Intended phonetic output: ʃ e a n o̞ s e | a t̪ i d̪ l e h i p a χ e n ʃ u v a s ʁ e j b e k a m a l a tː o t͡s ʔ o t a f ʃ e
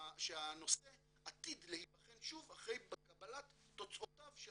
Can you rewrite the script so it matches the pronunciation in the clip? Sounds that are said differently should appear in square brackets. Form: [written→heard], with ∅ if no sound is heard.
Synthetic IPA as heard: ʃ e a n o̞ s e | a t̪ i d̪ l e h i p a χ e n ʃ u v a [s→χ] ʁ e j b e k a [m→b] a l a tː o t͡s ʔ o t a [f→v] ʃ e